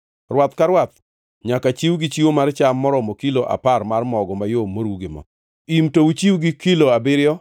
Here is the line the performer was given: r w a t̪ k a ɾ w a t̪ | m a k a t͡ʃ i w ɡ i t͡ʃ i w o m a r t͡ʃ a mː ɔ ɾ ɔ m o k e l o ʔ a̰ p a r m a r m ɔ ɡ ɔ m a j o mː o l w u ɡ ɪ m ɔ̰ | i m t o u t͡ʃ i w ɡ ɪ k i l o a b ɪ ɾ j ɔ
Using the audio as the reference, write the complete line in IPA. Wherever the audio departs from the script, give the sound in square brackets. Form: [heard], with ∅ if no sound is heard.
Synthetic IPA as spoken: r w a t̪ k a ɾ w a t̪ | [ɲ] a k a t͡ʃ i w ɡ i t͡ʃ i w o m a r t͡ʃ a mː ɔ ɾ ɔ m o k [i] l o ʔ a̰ p a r m a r m ɔ ɡ ɔ m a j o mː o [ɾ] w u ɡ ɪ m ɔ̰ | i m t o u t͡ʃ i w ɡ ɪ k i l o a b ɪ ɾ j ɔ